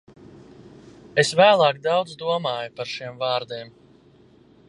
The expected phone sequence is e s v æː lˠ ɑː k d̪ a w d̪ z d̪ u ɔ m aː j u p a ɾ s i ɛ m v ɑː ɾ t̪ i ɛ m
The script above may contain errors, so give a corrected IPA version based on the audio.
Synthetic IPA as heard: e s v æː lˠ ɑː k d̪ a w d̪ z d̪ u ɔ m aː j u p a ɾ ʃ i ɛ m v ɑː ɾ d̪ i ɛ m